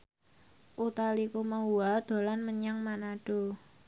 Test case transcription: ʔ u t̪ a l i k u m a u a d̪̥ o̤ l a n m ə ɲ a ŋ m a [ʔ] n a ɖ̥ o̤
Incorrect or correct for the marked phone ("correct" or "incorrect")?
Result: incorrect